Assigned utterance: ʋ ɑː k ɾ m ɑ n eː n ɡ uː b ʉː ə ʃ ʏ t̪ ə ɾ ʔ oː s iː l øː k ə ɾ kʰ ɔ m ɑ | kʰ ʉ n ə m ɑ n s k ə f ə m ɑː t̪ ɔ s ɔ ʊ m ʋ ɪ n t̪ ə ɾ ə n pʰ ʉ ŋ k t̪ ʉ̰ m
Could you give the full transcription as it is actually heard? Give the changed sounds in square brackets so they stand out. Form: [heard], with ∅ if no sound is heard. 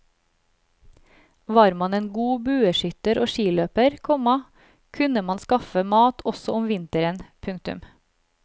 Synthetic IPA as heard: ʋ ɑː [∅] ɾ m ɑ n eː n ɡ uː b ʉː ə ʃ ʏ t̪ ə ɾ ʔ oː [ʃ] iː l øː [p] ə ɾ kʰ ɔ m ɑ | kʰ ʉ n ə m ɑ n s k [ɑ] f ə m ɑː t̪ ɔ s ɔ ʊ m ʋ ɪ n t̪ ə ɾ ə n pʰ ʉ ŋ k t̪ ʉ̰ m